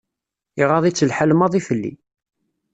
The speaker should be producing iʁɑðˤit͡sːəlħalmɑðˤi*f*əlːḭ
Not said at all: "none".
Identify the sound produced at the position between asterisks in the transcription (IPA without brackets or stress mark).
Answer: f